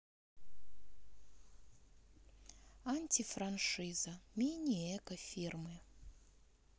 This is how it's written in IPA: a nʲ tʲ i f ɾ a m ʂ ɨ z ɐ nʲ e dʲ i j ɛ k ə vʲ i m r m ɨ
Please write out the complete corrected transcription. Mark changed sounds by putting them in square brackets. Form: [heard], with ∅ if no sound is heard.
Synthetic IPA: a nʲ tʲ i f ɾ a [n] ʂ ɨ z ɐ [mʲ] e [nʲ] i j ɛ k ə [fʲ] i [∅] r m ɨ